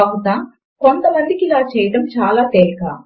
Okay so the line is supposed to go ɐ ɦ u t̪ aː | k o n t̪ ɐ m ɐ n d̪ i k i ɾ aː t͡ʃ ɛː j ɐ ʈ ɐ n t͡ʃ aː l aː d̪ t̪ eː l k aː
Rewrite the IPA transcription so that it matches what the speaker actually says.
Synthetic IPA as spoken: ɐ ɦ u t̪ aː | k o n t̪ ɐ m ɐ n d̪ i k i l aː t͡ʃ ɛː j ɐ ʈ ɐ m t͡ʃ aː l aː t̪ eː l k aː